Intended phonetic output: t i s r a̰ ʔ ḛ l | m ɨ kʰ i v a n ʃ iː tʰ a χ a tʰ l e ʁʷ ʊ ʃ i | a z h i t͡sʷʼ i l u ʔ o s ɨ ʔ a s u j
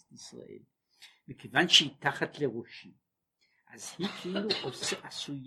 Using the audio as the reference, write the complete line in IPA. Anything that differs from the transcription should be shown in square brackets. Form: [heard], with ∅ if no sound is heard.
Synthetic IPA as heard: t i s r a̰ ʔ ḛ l | m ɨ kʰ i v a n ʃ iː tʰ a χ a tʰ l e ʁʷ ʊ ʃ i | a z h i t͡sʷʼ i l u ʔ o s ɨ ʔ a s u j